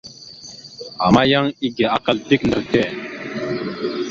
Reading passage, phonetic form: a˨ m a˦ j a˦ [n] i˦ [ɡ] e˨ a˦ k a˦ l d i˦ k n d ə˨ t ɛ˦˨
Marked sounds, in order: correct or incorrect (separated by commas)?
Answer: incorrect, correct